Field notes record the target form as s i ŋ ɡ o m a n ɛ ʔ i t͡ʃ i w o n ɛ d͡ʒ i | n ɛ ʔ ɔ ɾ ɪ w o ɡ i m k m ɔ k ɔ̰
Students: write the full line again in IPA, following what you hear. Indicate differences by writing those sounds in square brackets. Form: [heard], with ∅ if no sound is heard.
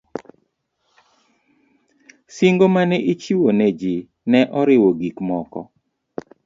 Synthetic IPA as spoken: s i ŋ ɡ o m a n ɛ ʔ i t͡ʃ i w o n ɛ d͡ʒ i | n ɛ ʔ ɔ ɾ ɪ w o ɡ i [∅] k m ɔ k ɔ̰